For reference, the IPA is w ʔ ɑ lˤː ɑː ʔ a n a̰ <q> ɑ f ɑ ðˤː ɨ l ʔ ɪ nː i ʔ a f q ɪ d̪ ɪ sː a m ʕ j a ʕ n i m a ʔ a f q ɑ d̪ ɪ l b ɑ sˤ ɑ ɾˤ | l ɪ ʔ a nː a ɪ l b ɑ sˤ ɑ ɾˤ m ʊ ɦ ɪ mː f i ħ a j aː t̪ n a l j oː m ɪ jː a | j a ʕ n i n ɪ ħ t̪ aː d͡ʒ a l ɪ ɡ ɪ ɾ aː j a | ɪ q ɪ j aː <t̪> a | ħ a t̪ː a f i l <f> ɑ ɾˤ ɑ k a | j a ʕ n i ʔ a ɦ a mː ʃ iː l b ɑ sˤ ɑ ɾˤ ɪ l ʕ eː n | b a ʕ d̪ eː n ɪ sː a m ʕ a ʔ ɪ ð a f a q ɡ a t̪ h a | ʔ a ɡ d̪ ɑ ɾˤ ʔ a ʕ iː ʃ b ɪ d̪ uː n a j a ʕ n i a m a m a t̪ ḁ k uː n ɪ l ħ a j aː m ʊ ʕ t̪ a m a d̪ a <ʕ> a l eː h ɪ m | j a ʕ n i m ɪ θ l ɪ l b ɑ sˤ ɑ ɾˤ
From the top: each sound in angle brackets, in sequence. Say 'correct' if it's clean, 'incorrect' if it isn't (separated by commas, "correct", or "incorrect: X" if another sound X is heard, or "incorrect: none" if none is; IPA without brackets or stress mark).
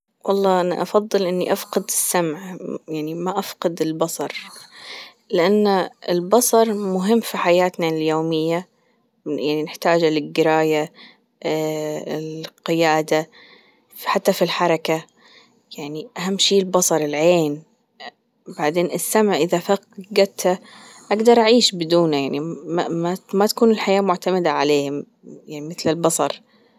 incorrect: ʔ, incorrect: d̪, incorrect: ħ, correct